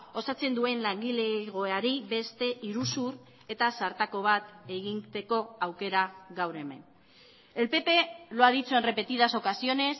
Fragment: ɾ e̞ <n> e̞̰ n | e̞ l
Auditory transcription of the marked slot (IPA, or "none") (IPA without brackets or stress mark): m